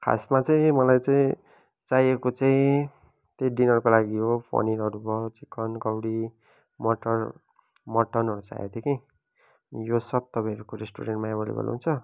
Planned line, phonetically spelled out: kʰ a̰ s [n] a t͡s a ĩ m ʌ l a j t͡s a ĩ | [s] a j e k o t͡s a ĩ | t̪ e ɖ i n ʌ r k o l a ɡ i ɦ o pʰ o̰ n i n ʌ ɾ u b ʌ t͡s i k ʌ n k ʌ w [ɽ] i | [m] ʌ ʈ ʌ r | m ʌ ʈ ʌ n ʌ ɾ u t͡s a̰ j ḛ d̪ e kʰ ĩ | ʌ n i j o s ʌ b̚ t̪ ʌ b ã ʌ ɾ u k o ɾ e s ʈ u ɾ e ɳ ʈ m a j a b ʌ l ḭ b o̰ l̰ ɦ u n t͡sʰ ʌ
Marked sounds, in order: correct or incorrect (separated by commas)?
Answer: incorrect, incorrect, correct, correct